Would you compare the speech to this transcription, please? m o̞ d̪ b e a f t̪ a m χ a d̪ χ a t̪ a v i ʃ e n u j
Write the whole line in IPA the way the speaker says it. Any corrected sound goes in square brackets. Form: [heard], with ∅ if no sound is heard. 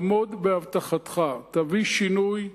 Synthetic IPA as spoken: m o̞ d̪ b e a [v] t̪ a [∅] χ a [t̪] χ a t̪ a v i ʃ [i] n u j